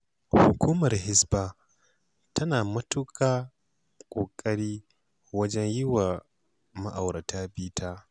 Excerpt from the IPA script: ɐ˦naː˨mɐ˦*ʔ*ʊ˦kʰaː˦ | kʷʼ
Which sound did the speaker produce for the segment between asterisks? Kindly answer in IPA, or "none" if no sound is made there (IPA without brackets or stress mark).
t